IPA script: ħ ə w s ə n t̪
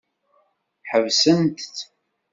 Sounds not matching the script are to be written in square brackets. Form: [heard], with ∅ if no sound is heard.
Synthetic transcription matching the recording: ħ ə [v] s ə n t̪